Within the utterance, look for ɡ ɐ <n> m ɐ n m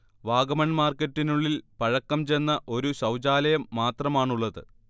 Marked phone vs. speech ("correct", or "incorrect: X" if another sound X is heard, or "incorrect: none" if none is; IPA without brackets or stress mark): incorrect: none